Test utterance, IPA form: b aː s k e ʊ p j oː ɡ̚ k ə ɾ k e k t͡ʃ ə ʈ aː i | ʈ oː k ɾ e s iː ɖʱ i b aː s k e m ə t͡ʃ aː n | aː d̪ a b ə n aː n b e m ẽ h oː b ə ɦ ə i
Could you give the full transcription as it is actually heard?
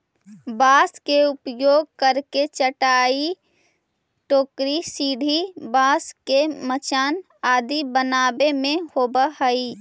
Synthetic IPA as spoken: b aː s k e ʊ p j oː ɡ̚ k ə ɾ k e t͡ʃ ə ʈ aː i | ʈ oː k ɾ i s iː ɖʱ i b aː s k e m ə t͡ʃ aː n | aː d̪ i b ə n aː b e m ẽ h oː b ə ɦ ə i